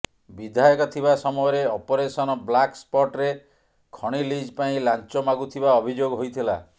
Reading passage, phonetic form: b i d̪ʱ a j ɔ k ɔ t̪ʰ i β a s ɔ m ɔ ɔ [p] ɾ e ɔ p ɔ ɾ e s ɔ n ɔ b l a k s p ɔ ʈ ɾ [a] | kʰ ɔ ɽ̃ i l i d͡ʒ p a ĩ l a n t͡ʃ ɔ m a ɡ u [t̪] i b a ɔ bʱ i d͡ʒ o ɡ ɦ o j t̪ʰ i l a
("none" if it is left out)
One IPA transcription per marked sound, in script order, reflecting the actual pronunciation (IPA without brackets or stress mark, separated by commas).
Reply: none, e, t̪ʰ